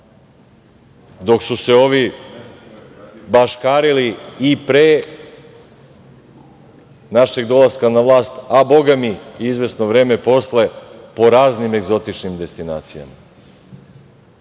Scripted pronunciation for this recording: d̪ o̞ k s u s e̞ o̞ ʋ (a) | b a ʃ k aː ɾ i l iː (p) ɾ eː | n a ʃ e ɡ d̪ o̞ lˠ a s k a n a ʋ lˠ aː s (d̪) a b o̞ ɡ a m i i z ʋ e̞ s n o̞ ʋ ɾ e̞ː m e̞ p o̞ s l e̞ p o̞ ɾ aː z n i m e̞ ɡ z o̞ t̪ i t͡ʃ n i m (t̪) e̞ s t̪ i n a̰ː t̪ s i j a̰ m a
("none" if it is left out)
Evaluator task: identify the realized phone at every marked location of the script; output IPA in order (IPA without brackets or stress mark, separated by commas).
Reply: i, p, t̪, d̪